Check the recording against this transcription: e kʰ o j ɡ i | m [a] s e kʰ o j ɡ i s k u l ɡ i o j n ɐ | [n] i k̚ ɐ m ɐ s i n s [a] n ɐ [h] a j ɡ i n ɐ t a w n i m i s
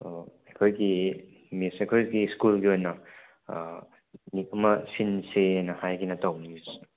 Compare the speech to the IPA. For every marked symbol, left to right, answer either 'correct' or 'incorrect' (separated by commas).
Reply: incorrect, correct, incorrect, correct